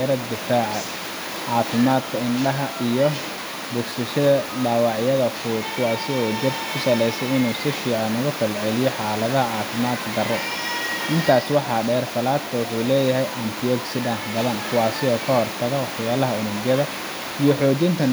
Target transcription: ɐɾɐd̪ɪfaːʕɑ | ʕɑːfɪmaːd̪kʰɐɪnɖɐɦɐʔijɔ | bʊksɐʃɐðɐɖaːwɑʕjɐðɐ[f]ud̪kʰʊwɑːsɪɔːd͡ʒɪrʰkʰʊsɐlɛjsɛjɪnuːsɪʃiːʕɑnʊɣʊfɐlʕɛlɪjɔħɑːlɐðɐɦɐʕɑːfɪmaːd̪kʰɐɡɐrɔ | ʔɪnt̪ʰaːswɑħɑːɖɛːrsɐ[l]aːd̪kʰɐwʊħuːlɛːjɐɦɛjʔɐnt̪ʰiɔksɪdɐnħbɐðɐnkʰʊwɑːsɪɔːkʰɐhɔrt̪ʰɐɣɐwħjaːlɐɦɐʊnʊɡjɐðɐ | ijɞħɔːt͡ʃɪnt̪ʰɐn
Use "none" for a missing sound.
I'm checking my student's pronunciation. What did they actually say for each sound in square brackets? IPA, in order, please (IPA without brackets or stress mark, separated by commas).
f, l